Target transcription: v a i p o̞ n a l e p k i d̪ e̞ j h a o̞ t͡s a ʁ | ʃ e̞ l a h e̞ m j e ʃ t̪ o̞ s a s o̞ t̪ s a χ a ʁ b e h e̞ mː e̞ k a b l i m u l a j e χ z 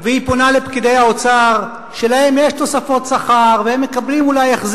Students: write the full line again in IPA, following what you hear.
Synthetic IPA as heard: v e i p o̞ n a l e p k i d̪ e̞ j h a o̞ t͡s a ʁ | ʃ e̞ l a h e̞ m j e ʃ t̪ o̞ s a f o̞ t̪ s a χ a ʁ v e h e̞ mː e̞ k a b l i m u l a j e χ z